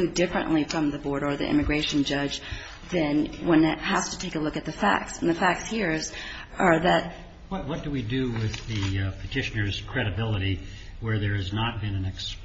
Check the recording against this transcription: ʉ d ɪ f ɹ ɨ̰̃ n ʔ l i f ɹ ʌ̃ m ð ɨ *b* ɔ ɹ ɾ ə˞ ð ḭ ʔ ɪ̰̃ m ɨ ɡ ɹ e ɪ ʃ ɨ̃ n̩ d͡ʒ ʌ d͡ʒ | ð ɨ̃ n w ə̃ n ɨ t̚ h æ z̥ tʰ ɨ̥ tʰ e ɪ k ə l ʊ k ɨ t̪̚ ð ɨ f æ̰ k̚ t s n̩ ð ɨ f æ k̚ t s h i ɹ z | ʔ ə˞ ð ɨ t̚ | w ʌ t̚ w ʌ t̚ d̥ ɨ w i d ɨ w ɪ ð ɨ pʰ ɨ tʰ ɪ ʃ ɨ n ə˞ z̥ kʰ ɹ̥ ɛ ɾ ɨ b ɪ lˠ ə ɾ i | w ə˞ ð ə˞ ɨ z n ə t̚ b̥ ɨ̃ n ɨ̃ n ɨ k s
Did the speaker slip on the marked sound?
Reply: no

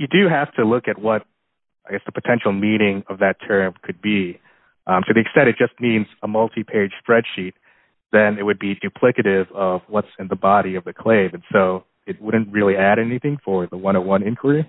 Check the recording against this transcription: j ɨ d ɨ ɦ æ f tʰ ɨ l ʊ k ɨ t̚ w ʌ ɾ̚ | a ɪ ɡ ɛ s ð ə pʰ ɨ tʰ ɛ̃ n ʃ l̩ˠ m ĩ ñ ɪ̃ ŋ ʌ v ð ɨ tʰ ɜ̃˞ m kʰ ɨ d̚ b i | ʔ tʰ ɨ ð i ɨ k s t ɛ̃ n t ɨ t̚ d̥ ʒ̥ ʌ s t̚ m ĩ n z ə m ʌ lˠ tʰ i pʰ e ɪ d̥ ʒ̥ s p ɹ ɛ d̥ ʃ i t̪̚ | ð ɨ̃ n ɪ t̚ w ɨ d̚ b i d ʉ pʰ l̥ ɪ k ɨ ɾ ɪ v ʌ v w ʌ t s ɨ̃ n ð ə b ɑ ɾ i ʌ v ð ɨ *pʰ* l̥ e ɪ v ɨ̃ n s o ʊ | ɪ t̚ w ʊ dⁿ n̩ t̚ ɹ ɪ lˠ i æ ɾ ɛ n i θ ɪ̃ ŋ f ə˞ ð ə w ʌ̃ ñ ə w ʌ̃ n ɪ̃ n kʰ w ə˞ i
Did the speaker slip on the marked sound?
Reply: yes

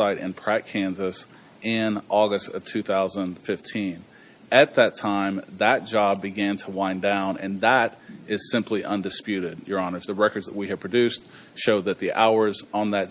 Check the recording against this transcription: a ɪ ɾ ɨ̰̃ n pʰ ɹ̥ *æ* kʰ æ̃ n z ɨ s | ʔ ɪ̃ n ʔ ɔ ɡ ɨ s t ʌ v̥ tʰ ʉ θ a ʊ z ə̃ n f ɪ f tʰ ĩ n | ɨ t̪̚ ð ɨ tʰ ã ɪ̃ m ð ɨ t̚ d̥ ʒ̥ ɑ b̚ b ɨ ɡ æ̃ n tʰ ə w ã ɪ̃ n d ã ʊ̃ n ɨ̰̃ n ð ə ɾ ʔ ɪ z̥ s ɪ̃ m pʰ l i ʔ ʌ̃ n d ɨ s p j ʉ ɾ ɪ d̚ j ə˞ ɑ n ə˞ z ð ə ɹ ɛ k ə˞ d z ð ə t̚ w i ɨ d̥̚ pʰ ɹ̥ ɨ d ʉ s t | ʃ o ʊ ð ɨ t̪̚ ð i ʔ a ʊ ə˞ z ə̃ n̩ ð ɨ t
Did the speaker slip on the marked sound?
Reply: no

